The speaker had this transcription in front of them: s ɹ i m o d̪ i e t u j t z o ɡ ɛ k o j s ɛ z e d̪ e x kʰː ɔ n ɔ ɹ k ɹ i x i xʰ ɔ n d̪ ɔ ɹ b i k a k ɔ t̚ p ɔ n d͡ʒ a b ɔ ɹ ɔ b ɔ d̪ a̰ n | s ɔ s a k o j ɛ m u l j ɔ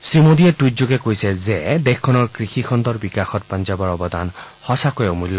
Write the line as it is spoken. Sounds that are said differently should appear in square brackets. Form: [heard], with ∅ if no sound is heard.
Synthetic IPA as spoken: s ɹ i m o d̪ i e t u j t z o ɡ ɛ k o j s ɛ z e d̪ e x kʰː ɔ n ɔ ɹ k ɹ i x i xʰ ɔ n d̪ ɔ ɹ b i k a [x] ɔ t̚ p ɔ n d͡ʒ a b ɔ ɹ ɔ b ɔ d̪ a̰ n | [h] ɔ s a k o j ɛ m u l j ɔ